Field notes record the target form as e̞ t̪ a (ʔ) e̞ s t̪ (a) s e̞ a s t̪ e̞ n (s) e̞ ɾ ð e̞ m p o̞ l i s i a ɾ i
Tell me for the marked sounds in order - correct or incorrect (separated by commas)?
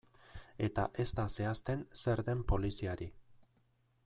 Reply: correct, correct, correct